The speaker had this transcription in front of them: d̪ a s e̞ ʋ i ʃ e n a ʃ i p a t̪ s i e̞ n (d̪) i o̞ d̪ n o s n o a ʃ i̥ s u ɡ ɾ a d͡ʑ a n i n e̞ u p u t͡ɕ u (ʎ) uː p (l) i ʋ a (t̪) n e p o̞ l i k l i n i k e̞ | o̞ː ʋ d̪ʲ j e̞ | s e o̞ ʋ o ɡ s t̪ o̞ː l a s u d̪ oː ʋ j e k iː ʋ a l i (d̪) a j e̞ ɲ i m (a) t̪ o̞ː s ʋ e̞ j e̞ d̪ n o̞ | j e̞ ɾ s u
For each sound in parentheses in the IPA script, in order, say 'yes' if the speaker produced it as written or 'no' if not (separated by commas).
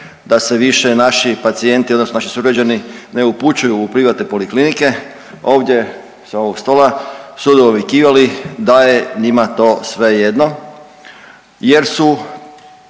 no, no, no, yes, yes, yes